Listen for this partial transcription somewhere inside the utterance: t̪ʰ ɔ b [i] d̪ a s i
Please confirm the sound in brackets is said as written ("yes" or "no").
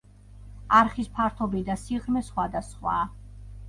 yes